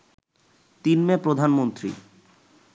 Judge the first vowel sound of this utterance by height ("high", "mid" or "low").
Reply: high